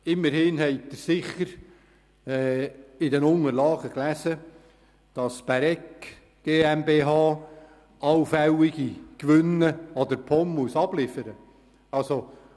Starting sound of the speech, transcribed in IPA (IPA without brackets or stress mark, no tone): ɪ